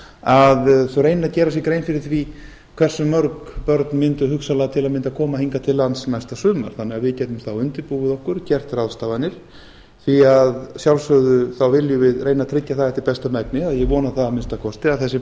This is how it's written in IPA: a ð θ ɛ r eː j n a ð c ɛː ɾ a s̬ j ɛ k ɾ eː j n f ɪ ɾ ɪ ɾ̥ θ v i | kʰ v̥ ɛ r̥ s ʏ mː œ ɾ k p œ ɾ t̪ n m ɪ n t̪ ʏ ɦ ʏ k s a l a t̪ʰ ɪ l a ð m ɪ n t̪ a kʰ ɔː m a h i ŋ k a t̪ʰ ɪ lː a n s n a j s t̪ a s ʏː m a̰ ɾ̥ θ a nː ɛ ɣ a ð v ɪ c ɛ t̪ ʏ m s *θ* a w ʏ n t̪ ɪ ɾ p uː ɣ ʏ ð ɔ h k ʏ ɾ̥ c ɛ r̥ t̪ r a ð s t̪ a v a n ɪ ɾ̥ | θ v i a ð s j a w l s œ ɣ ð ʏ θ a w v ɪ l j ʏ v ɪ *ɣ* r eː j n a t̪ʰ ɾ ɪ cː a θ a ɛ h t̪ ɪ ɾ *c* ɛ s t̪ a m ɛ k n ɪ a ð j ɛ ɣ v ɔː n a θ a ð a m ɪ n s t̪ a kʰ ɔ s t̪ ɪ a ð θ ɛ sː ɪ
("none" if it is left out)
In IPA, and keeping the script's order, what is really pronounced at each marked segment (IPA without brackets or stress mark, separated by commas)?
θ, ð, p